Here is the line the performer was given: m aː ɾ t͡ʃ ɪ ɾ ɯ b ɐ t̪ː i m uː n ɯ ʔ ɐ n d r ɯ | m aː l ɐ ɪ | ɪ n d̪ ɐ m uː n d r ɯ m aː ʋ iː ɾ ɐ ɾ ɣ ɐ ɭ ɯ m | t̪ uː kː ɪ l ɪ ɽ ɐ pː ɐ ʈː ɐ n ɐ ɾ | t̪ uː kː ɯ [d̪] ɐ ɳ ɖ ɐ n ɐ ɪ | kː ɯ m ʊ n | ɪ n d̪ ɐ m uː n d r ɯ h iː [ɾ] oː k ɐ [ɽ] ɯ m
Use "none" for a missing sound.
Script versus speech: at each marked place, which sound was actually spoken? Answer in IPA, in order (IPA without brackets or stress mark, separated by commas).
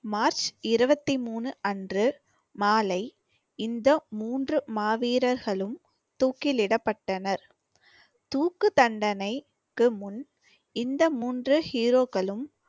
t̪, ɾ, ɭ